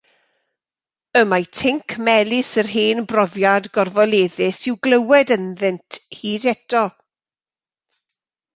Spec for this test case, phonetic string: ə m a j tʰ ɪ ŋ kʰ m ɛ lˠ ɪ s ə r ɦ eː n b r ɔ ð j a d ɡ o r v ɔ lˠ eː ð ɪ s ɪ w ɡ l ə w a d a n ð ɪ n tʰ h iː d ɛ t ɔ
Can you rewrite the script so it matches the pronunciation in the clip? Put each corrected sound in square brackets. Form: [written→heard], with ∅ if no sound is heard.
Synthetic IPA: ə m a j tʰ ɪ ŋ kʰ m ɛ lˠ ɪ s ə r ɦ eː n b r ɔ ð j a d ɡ [o→ɔ] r v ɔ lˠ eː ð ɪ s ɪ w ɡ l ə w [a→ɛ] d [a→ə] n ð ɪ n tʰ h iː d ɛ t ɔ